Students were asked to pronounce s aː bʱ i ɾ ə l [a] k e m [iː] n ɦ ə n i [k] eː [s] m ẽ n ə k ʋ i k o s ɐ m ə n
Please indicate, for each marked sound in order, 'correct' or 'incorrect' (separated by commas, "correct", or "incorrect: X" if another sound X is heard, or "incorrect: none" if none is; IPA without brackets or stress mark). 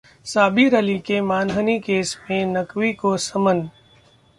incorrect: i, incorrect: aː, correct, correct